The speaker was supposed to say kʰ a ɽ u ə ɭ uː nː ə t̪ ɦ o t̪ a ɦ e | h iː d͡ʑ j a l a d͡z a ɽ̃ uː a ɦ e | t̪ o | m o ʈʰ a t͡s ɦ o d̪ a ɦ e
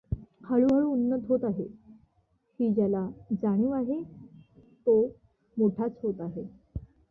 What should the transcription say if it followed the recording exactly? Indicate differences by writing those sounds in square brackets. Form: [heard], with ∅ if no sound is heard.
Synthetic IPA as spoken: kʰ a [ɭ] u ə ɭ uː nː ə t̪ ɦ o t̪ a ɦ e | h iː d͡ʑ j a l a d͡z a ɽ̃ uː a ɦ e | t̪ o | m o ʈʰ a t͡s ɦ o [t̪] a ɦ e